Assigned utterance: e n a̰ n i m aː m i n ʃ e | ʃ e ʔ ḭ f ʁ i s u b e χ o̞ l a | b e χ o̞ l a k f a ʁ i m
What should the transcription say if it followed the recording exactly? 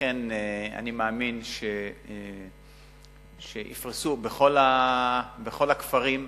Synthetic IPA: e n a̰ n i m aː m i n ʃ e | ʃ e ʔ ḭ f ʁ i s u b e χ o̞ l a | b e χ o̞ l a k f a ʁ i m